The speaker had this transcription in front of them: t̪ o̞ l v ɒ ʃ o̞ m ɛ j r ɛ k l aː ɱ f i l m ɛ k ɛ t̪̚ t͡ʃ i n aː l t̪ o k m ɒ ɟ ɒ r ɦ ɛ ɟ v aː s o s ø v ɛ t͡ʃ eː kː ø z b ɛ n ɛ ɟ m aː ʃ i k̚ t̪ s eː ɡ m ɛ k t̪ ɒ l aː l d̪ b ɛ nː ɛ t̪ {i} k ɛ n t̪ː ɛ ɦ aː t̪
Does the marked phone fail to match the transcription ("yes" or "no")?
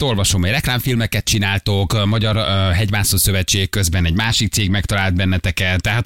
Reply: yes